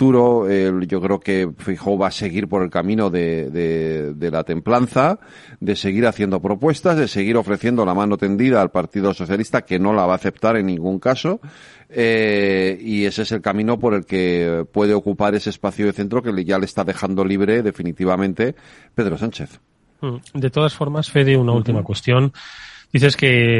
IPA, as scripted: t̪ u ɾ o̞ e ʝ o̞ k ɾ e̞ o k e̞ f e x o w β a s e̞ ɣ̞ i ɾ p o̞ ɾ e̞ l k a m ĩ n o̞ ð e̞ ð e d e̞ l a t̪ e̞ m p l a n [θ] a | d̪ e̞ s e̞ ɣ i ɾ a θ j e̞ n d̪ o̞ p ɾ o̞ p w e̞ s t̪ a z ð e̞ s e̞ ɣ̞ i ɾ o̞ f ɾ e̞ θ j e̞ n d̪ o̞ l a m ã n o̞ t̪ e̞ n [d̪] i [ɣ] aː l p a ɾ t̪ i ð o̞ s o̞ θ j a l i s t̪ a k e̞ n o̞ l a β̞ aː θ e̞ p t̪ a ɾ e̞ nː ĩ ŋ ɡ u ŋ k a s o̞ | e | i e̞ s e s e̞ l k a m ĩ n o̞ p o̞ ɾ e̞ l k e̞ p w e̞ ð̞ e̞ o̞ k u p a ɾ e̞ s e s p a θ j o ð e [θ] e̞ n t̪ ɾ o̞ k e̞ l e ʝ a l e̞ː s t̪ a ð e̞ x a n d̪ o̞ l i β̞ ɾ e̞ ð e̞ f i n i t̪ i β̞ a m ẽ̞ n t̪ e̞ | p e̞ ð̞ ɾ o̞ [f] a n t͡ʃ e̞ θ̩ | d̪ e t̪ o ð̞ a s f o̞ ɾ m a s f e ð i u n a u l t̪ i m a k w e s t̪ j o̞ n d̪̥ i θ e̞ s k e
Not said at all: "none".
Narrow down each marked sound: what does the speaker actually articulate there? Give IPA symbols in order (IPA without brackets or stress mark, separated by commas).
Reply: θ, d̪, ð, θ, s